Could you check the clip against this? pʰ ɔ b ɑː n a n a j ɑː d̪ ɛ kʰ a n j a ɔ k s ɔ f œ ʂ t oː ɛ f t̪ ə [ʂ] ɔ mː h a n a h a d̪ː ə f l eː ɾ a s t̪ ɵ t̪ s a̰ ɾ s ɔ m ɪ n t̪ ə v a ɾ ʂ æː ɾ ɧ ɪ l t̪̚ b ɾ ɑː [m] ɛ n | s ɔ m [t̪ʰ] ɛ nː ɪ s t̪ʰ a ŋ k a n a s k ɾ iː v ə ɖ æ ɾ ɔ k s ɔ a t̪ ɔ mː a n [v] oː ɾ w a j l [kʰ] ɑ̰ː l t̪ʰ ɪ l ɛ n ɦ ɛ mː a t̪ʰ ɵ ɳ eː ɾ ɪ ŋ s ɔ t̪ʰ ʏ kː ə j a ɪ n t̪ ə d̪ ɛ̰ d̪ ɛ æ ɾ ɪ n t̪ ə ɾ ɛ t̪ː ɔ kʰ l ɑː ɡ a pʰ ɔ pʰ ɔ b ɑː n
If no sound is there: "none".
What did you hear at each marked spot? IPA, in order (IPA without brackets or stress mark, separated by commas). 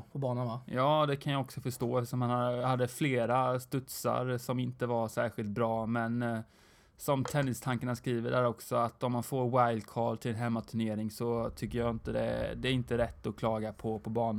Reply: ʂ, m, t̪ʰ, f, kʰ